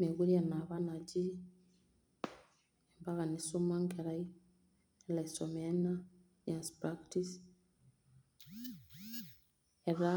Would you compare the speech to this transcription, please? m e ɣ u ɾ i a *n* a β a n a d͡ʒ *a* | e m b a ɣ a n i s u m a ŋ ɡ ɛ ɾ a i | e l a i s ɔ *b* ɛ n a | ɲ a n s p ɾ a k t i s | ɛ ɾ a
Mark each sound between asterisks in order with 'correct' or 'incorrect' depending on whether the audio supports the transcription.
correct, incorrect, incorrect

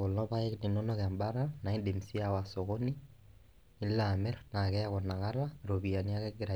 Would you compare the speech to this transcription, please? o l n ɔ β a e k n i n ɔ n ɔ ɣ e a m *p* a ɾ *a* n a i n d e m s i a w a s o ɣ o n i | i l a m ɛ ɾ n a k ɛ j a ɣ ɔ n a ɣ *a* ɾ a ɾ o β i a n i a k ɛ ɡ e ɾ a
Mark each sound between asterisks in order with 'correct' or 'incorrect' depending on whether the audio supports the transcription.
incorrect, correct, correct

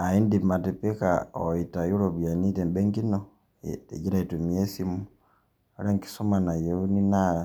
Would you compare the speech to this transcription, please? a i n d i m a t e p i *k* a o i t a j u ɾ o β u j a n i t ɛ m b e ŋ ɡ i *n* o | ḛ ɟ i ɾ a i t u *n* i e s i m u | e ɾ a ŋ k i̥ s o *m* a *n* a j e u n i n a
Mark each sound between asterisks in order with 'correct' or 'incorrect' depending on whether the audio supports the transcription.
correct, correct, incorrect, correct, correct

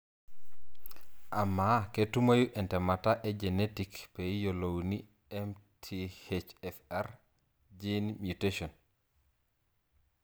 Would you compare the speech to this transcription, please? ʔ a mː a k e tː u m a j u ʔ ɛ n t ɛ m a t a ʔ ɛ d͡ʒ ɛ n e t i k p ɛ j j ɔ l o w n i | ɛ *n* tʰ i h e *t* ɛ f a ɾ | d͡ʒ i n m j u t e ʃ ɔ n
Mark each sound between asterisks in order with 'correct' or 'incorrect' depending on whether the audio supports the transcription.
incorrect, incorrect

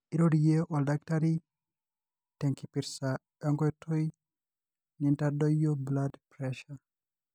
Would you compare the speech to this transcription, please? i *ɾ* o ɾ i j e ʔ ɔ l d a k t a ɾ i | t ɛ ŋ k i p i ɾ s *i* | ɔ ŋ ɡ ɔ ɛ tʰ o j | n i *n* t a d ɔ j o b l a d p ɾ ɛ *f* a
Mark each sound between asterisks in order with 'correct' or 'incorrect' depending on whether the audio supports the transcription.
correct, incorrect, correct, incorrect

